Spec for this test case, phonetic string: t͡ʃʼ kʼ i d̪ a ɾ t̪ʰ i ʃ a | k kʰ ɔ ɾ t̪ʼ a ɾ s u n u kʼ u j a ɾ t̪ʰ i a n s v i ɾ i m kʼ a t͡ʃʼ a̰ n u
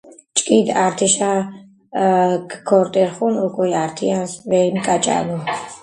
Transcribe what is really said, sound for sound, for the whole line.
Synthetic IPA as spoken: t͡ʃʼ kʼ i d̪ a ɾ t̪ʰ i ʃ a | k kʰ ɔ ɾ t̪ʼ ɛ ɾ χ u n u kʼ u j a ɾ t̪ʰ i a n s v ɛ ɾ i m kʼ a t͡ʃʼ a̰ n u

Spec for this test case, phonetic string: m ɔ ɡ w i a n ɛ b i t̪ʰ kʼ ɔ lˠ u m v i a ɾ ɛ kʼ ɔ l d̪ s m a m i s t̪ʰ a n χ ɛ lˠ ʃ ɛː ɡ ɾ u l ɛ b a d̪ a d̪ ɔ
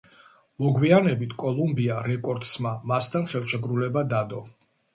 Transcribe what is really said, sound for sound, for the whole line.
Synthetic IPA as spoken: m ɔ ɡ w i a n ɛ b i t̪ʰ kʼ ɔ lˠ u m b i a ɾ ɛ kʼ ɔ ɾ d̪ s m a m a s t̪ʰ a n χ ɛ lˠ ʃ ɛ ɡ ɾ u l ɛ b a d̪ a d̪ ɔ

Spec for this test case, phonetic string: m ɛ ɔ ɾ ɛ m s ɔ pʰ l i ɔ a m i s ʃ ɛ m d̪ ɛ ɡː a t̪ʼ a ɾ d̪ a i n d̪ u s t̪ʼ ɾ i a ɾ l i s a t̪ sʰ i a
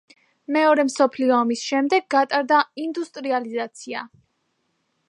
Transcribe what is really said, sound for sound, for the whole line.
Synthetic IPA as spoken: m ɛ ɔ ɾ ɛ m s ɔ pʰ l i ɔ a m i s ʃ ɛ m d̪ ɛ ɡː a t̪ʼ a ɾ d̪ a i n d̪ u s t̪ʼ ɾ i a l i z a t̪ sʰ i a

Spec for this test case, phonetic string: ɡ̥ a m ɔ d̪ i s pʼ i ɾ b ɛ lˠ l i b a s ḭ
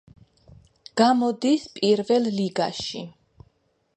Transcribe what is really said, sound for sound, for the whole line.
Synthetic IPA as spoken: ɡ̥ a m ɔ d̪ i s pʼ i ɾ v ɛ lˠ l i ɡ a ʃ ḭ

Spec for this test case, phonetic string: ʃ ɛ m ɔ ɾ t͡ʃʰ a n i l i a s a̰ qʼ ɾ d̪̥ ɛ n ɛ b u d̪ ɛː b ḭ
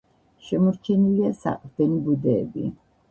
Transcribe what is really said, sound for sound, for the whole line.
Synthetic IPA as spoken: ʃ ɛ m ɔ ɾ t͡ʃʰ ɛ n i l i a s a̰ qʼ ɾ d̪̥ ɛ n i b u d̪ ɛː b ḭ

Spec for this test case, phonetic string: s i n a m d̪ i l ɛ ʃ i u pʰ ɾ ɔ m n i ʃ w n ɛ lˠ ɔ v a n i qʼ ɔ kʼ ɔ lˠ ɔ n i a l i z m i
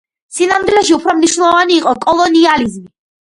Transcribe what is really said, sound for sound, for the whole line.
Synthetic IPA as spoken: s i n a m d̪ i l ɛ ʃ i u pʰ ɾ ɔ m n i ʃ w n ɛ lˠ ɔ v a n iː qʼ ɔ kʼ ɔ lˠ ɔ n i a l i z m i

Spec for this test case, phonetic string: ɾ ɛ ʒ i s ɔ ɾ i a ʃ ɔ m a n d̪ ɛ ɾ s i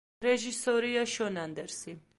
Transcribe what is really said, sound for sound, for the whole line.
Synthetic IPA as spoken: ɾ ɛ ʒ i s ɔ ɾ i a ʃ ɔ n a n d̪ ɛ ɾ s i

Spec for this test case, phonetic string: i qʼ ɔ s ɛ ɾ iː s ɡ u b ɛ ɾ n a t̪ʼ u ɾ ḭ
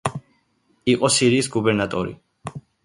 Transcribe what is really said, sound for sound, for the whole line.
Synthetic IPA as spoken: i qʼ ɔ s i ɾ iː s ɡ u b ɛ ɾ n a t̪ʼ ɔ ɾ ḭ

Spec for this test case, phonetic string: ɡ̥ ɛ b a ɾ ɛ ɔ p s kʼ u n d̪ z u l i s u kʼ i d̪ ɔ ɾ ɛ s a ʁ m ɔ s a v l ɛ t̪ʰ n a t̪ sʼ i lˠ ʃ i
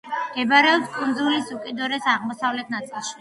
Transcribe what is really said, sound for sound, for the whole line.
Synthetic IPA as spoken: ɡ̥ ɛ b a ɾ ɛ ɔ p s kʼ u n d̪ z u l i s u kʼ i d̪ ɔ ɾ ɛ s a ʁ m ɔ s a v l ɛ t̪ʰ n a t̪ sʼ i lˠ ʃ i

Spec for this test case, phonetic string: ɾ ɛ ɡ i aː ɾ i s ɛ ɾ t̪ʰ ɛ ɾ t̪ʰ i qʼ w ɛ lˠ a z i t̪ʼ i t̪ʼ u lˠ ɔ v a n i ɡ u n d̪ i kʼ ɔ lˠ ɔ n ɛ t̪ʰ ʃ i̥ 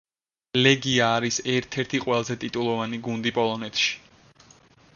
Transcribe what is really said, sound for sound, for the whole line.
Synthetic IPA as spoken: l ɛ ɡ i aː ɾ i s ɛ ɾ t̪ʰ ɛ ɾ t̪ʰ i qʼ w ɛ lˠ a z ɛ t̪ʼ i t̪ʼ u lˠ ɔ v a n i ɡ u n d̪ i pʼ ɔ lˠ ɔ n ɛ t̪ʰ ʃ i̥

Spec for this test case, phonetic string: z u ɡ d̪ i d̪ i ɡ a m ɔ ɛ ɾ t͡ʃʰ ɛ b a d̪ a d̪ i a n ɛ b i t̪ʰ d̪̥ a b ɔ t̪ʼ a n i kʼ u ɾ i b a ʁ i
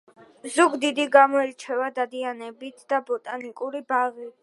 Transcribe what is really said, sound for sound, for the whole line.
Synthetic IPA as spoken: z u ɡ d̪ i d̪ i ɡ a m ɔ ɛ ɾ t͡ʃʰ ɛ v a d̪ a d̪ i a n ɛ b i t̪ʰ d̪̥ a b ɔ t̪ʼ a n i kʼ u ɾ i b a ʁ i

